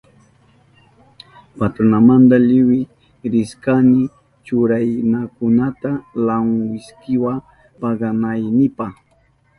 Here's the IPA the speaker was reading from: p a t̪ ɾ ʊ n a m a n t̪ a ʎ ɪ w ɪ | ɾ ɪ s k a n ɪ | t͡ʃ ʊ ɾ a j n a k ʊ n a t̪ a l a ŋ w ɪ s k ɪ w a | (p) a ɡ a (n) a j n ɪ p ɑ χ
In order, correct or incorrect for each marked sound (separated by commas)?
correct, correct